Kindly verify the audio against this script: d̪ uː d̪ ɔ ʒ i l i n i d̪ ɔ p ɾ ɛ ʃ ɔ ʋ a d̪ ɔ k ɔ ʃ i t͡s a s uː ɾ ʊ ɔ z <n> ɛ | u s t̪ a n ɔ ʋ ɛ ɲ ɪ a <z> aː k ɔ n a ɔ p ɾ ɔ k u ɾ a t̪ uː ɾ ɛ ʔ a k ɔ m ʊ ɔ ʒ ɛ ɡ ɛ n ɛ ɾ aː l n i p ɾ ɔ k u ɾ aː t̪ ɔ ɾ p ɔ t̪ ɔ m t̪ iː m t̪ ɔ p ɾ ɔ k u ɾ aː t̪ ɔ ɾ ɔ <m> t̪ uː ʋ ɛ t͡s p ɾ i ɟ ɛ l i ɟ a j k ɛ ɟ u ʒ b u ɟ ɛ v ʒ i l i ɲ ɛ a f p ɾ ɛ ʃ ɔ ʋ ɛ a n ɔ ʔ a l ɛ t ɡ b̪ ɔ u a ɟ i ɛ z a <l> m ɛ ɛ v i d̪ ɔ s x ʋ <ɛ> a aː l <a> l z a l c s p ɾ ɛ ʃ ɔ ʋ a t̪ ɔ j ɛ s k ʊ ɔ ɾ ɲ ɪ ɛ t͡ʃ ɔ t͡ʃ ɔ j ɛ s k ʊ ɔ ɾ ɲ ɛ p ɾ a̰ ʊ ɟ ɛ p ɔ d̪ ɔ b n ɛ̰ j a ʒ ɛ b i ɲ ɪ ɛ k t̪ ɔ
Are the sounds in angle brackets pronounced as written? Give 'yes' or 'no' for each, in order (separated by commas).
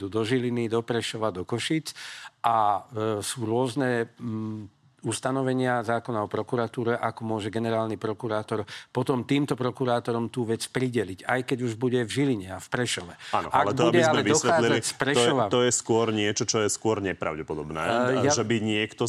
yes, yes, yes, yes, yes, no